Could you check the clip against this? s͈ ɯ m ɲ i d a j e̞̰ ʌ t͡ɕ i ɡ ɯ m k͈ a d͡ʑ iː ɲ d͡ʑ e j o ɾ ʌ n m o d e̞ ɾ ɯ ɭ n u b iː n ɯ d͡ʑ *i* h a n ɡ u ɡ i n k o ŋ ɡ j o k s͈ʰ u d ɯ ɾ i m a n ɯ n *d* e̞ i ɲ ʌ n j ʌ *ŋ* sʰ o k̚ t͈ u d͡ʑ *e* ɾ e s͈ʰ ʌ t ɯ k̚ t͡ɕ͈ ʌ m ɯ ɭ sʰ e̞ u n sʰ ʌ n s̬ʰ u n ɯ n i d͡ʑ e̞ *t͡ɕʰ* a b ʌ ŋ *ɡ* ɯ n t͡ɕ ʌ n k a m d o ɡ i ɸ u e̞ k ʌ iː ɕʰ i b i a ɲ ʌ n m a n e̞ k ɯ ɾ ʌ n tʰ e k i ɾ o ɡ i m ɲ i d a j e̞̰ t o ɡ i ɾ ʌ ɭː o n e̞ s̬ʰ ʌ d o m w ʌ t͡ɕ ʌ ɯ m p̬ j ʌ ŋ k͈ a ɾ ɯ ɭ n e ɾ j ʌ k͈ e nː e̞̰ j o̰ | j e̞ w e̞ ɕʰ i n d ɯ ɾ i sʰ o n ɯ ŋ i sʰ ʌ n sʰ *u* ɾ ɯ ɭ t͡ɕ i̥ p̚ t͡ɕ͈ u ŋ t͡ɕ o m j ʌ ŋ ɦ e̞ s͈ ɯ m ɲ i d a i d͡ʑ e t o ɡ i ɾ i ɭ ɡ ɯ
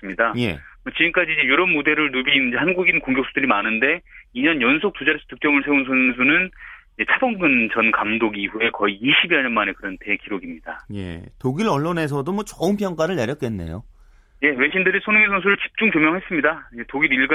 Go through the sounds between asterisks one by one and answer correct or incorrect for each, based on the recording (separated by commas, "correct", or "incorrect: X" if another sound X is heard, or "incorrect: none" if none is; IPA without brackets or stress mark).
incorrect: e, correct, incorrect: n, incorrect: a, correct, correct, correct